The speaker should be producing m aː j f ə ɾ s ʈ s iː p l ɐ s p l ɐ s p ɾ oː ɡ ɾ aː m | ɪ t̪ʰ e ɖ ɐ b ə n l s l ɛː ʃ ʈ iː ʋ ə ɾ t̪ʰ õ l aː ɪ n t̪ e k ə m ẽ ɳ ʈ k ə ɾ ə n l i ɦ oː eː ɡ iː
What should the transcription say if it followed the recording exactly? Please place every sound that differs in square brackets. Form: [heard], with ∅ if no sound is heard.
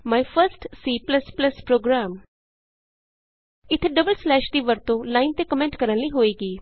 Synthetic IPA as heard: m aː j f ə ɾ s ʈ s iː p l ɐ s p l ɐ s p ɾ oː ɡ ɾ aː m | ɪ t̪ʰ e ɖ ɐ b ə [∅] l s l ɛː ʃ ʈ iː ʋ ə ɾ [t̪] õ l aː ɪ n t̪ e k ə m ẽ ɳ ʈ k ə ɾ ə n l i ɦ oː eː ɡ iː